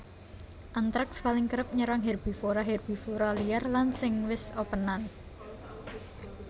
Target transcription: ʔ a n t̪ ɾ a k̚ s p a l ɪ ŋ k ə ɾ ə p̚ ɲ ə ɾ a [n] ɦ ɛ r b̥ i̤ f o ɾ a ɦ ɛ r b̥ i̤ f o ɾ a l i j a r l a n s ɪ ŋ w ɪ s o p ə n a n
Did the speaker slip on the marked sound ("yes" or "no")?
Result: yes